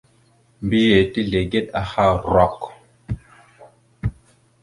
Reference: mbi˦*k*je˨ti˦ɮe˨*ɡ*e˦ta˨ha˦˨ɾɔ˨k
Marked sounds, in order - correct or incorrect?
incorrect: none, correct

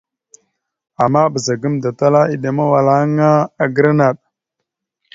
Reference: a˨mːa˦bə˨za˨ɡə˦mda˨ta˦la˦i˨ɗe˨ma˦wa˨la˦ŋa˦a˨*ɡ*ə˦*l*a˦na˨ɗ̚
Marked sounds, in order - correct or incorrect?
correct, incorrect: ɾ

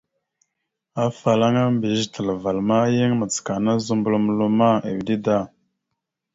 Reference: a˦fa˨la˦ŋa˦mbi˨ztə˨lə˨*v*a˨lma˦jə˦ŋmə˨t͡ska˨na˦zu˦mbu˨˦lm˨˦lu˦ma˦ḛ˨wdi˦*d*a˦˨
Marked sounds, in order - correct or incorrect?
correct, correct

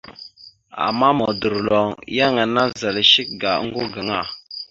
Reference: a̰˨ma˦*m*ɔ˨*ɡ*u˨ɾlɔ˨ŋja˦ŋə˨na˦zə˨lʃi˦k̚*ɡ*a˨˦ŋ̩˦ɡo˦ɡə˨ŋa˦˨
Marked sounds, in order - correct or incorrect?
correct, incorrect: d, correct

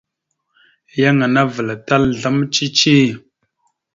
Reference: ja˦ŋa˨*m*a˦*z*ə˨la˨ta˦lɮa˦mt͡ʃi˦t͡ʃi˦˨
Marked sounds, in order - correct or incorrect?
incorrect: n, incorrect: v

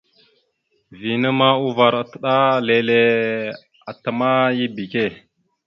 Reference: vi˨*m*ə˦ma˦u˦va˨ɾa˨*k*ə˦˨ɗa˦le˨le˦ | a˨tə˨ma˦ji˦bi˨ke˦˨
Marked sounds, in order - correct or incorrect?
incorrect: n, incorrect: t

